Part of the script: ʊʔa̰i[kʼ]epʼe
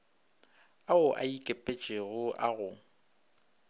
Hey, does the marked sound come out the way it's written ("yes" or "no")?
yes